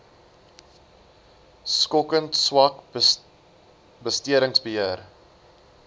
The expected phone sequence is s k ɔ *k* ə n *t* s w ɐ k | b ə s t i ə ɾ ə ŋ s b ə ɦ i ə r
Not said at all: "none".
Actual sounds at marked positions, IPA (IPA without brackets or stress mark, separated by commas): k, t